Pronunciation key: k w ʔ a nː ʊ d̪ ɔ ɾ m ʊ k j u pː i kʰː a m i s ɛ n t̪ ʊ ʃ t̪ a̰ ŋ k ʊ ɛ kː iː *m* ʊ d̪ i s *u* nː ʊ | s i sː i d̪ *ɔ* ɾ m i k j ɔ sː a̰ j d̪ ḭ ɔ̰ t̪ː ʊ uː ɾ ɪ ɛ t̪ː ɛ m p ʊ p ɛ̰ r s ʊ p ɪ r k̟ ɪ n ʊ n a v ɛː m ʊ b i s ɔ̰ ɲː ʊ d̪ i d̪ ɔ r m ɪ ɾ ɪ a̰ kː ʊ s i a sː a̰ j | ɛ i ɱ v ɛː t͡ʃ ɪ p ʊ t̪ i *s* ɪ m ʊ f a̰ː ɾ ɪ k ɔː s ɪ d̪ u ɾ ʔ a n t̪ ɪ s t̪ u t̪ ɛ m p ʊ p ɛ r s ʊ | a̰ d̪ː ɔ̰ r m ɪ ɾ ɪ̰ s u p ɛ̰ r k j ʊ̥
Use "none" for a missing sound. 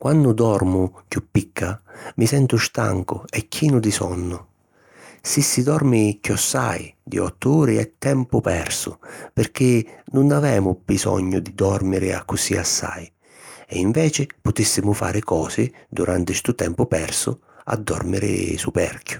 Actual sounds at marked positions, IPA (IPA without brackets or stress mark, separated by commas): n, ɔ, ɔ, sː